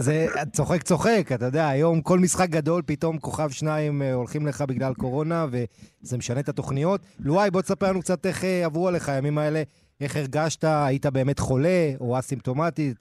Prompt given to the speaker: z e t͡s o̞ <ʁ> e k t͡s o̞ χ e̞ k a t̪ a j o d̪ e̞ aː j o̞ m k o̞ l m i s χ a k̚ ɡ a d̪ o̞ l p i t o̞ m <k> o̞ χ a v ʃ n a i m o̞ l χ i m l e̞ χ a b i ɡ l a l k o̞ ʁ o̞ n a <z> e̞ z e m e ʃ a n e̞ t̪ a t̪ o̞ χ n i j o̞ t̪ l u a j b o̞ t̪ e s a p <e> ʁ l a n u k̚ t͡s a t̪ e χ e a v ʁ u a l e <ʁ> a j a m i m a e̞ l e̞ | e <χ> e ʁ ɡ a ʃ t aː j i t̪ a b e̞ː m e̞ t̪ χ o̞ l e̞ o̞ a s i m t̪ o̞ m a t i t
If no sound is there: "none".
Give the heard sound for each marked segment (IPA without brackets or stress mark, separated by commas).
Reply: χ, k, v, e, χ, χ